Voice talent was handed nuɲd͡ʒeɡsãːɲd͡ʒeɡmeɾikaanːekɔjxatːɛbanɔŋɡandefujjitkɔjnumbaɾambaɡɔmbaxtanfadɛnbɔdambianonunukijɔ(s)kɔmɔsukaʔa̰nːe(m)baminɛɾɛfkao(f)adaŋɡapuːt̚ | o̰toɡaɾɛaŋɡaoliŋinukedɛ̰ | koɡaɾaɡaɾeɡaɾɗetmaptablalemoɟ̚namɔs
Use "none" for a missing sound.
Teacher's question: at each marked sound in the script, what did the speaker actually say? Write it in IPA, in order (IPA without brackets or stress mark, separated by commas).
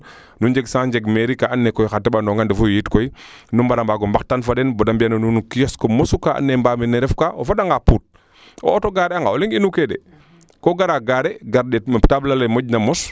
s, m, f